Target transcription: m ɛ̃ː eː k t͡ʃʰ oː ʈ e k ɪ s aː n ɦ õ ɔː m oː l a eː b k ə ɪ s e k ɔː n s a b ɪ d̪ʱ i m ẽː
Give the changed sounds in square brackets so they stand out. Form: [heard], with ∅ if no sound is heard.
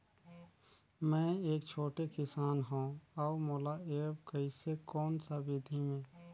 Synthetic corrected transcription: m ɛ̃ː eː k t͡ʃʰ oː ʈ e k ɪ s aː n ɦ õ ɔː m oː l a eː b k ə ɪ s e k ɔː n s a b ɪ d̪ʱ i m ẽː